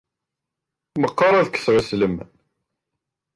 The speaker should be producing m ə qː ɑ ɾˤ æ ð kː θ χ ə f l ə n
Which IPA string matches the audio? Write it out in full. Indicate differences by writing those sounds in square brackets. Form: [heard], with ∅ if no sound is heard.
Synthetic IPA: m ə qː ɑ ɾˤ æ ð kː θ [ʁ] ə [s] l ə [m]

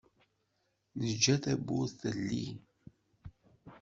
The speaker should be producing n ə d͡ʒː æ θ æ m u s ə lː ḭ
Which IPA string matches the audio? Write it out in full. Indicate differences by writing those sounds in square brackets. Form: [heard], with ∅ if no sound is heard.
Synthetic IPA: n ə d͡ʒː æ θ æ [b] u [θ] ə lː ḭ

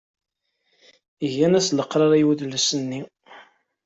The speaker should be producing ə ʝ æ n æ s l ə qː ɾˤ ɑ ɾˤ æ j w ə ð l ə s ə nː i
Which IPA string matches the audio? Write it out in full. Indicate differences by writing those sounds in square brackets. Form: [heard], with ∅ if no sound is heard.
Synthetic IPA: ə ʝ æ n æ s l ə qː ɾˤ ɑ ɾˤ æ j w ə ð l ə s ə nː i

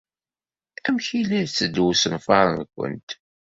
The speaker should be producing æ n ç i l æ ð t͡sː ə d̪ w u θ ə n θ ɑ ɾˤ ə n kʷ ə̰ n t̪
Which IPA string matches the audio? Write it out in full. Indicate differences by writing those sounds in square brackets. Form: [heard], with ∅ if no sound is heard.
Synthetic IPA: æ [m] ç i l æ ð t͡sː ə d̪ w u [s] ə n [f] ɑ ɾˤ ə n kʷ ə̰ n t̪

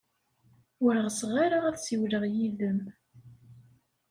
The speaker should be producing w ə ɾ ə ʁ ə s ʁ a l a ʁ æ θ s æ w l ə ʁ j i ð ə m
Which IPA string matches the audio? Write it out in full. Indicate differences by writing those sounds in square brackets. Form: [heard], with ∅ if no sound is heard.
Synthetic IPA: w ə ɾ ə ʁ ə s ʁ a [ɾ] a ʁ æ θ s [i] w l ə ʁ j i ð ə m

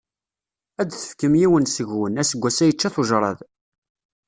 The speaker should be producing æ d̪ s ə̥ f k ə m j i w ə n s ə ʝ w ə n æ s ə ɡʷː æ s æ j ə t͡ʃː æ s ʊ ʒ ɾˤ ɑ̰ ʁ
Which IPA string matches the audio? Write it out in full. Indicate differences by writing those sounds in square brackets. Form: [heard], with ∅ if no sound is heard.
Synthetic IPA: æ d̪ [θ] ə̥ f k ə m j i w ə n s ə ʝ w ə n æ s ə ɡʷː æ s æ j ə t͡ʃː æ [θ] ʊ ʒ ɾˤ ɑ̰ [ð]

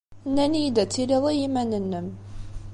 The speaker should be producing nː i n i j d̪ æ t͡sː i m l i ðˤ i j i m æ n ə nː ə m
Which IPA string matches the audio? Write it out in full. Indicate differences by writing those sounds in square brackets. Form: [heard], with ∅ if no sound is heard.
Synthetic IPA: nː [æ] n i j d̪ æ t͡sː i [∅] l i ðˤ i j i m æ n ə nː ə m

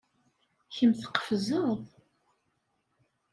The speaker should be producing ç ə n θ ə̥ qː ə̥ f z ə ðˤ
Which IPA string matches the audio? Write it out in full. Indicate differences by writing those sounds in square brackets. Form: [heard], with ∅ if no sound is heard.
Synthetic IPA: ç ə [m] θ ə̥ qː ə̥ f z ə ðˤ

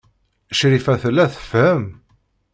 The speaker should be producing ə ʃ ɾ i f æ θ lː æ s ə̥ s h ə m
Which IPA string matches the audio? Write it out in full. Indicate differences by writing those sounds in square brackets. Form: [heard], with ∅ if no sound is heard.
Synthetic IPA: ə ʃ ɾ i f æ θ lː æ [θ] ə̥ [f] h ə m

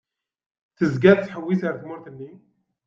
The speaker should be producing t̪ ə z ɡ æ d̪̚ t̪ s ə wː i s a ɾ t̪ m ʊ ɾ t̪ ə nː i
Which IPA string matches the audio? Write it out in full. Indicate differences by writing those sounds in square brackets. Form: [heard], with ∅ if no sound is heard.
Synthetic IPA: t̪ ə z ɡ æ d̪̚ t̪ [ħ] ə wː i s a ɾ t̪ m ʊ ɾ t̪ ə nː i

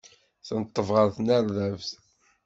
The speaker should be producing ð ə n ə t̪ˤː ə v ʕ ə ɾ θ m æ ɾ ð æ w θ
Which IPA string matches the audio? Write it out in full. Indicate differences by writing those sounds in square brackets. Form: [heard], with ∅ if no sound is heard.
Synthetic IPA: [θ] ə n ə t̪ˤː ə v [ʁ] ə ɾ θ [n] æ ɾ ð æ [v] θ

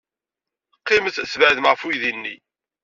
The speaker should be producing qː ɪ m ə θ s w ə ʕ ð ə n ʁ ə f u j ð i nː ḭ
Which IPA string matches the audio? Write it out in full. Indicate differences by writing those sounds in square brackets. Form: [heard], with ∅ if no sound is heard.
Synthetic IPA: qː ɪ m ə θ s [v] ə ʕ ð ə [m] ʁ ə f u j ð i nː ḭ

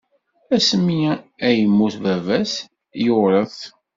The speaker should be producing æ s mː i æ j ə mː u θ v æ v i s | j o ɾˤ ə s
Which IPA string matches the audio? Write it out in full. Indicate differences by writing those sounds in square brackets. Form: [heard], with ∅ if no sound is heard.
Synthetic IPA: æ s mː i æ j ə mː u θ v æ v [æ] s | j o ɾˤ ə [θ]

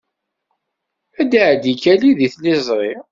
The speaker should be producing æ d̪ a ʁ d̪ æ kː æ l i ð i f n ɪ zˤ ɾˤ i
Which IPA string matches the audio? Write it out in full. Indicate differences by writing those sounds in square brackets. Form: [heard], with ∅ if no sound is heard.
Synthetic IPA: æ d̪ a [ʕ] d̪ [i] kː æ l i ð i [θ] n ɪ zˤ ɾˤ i

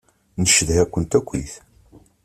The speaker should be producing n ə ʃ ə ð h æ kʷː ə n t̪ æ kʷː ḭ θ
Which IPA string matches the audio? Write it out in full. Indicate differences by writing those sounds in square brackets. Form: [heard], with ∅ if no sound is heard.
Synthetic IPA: n ə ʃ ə ð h æ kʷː ə n t̪ æ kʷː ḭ θ

